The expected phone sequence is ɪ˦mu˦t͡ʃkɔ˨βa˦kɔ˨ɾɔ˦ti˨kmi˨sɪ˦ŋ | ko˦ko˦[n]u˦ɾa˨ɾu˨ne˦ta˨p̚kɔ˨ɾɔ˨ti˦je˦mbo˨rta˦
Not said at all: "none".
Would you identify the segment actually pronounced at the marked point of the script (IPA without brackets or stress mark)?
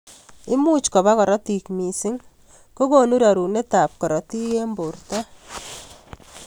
n